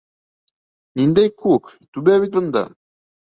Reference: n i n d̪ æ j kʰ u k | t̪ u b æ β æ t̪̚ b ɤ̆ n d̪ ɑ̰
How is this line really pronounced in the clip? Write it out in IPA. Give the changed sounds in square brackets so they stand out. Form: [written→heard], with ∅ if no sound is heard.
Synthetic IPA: n i n d̪ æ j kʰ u k | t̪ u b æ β [æ→i] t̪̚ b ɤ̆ n d̪ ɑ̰

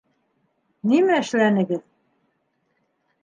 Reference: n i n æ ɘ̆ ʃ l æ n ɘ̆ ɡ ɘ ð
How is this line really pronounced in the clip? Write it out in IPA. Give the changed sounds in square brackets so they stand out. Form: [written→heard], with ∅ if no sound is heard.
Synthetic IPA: n i [n→m] æ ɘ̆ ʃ l æ n ɘ̆ ɡ ɘ ð

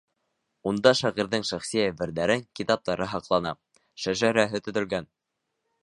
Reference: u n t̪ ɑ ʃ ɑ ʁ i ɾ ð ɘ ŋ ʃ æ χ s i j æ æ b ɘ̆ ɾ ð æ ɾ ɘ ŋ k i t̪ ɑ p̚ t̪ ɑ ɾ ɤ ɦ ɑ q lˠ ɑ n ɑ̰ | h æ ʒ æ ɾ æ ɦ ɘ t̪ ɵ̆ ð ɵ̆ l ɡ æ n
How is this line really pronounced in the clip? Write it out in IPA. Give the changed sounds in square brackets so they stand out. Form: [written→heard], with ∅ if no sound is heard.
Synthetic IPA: u n [t̪→d̪] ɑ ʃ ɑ ʁ i ɾ ð ɘ ŋ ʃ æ χ s i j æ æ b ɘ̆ ɾ ð æ ɾ ɘ ŋ k i t̪ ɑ p̚ t̪ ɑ ɾ ɤ ɦ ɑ q lˠ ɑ n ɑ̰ | [h→ʃ] æ ʒ æ ɾ æ ɦ ɘ t̪ ɵ̆ ð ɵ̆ l ɡ æ n

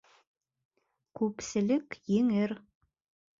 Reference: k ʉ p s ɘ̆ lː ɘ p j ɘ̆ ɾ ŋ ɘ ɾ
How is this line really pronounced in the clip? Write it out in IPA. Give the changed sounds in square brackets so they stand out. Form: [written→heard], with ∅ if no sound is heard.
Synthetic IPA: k ʉ p s ɘ̆ [lː→l] ɘ [p→k] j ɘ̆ [ɾ→∅] ŋ ɘ ɾ

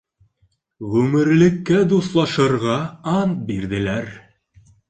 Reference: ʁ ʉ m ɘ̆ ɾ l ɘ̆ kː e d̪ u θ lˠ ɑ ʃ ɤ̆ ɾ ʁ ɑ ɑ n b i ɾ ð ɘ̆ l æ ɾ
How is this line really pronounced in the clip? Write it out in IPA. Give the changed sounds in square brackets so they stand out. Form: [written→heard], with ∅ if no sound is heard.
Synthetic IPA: ʁ ʉ m ɘ̆ ɾ l ɘ̆ kː [e→æ] d̪ u [θ→s] lˠ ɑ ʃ ɤ̆ ɾ ʁ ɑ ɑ n b i ɾ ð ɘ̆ l æ ɾ

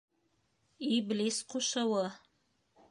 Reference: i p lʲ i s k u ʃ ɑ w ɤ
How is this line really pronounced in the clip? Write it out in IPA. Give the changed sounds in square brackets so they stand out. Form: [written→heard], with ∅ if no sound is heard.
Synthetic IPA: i [p→b] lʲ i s [k→q] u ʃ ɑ w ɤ

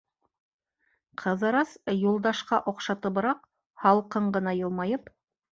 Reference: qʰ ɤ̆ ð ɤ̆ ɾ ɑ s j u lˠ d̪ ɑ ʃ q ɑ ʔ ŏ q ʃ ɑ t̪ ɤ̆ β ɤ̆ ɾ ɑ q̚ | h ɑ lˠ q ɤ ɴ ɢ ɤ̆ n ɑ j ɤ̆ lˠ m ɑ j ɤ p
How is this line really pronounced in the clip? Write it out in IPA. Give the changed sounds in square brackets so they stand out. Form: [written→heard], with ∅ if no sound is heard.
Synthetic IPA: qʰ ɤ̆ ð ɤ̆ ɾ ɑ s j u lˠ d̪ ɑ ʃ q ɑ ʔ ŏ q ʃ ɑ t̪ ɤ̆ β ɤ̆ ɾ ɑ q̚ | h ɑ lˠ q ɤ ɴ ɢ ɤ̆ n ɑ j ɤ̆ lˠ m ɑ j ɤ p

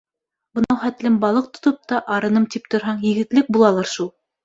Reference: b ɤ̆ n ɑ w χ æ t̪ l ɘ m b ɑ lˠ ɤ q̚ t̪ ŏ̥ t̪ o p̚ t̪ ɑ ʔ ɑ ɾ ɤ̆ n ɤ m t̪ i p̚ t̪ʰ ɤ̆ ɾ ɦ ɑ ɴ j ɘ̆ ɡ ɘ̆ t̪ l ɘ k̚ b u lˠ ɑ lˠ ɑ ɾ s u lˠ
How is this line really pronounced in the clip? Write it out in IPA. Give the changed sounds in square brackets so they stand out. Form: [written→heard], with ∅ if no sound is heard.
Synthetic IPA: b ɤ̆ n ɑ w χ æ t̪ l ɘ m b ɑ lˠ ɤ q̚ t̪ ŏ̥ t̪ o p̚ t̪ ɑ ʔ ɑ ɾ ɤ̆ n ɤ m t̪ i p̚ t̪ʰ [ɤ̆→ŏ] ɾ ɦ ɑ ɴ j ɘ̆ ɡ ɘ̆ t̪ l ɘ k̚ b u lˠ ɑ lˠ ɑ ɾ [s→ʃ] u lˠ

